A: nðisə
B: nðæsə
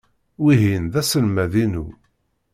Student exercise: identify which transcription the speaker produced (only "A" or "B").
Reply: B